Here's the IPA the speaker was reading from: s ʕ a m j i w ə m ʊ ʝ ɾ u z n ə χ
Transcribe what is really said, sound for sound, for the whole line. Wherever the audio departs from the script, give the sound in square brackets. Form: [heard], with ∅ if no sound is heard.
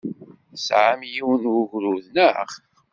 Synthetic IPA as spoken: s ʕ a m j i w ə [n] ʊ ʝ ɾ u [ð] n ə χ